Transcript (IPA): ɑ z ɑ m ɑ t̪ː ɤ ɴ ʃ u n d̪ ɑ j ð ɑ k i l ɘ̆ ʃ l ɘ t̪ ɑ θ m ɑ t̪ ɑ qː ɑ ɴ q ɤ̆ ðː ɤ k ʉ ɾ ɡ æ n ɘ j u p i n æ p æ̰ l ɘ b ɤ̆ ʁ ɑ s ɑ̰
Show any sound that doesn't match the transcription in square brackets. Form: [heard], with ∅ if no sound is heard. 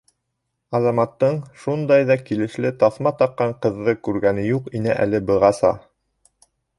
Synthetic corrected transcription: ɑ z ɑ m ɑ t̪ː ɤ ɴ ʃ u n d̪ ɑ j ð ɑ k i l ɘ̆ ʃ l ɘ t̪ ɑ θ m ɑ t̪ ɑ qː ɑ ɴ q ɤ̆ ðː ɤ k ʉ ɾ ɡ æ n ɘ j u [q] i n æ [ʔ] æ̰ l ɘ b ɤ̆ ʁ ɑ s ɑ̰